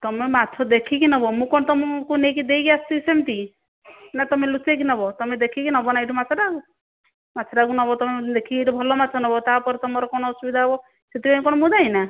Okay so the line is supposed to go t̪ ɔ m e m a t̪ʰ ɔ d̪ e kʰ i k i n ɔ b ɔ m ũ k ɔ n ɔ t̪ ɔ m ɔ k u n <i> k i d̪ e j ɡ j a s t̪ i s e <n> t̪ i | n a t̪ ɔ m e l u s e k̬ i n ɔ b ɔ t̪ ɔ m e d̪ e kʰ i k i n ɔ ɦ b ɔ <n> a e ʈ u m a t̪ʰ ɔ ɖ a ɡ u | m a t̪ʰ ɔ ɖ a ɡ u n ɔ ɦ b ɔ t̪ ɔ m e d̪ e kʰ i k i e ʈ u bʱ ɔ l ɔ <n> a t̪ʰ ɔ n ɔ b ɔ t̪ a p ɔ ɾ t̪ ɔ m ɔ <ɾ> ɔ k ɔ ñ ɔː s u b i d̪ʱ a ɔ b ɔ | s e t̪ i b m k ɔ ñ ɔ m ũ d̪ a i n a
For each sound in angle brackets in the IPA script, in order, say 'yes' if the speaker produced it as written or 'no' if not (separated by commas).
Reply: no, no, yes, no, yes